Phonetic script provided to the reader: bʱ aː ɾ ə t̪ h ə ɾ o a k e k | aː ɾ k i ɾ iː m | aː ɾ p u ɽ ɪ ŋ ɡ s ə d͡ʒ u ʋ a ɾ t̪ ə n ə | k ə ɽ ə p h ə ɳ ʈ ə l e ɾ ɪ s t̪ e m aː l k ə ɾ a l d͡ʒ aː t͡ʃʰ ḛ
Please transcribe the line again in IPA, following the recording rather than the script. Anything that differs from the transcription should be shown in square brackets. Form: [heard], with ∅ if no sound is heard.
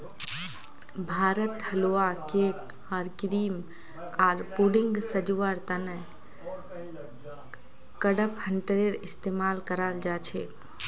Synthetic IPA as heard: bʱ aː ɾ ə t̪ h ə [l] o a k e k | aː ɾ k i ɾ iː m | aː ɾ p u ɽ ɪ ŋ ɡ s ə d͡ʒ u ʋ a ɾ t̪ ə n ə | k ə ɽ ə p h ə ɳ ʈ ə [ɾ] e ɾ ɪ s t̪ e m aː l k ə ɾ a l d͡ʒ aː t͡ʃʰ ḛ

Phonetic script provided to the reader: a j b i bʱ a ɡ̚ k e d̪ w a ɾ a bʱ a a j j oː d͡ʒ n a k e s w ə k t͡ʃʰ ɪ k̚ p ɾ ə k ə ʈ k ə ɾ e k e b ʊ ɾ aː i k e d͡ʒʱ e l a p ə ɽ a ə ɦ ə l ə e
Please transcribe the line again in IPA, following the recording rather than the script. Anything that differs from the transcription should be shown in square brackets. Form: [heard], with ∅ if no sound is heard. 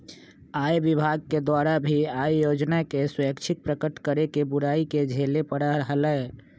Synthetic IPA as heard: a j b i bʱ a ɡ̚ k e d̪ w a ɾ a bʱ [i] a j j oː d͡ʒ n a k e s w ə k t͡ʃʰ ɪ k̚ p ɾ ə k ə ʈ k ə ɾ e k e b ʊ ɾ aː i k e d͡ʒʱ e l [e] p ə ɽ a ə ɦ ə l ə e

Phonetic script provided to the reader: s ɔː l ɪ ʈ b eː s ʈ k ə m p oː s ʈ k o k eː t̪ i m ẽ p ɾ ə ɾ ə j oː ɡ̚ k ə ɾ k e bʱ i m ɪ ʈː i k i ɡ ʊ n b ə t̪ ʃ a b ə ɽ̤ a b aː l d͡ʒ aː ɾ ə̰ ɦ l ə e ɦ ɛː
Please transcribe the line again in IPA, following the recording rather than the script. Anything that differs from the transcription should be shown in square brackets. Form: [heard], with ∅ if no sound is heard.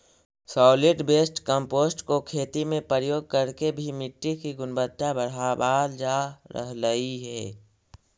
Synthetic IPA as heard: s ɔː l ɪ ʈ b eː s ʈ k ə m p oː s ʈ k o [kʰ] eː t̪ i m ẽ p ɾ ə ɾ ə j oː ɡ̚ k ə ɾ k e bʱ i m ɪ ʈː i k i ɡ ʊ n b ə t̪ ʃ a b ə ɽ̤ a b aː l d͡ʒ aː ɾ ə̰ ɦ l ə [i] ɦ ɛː

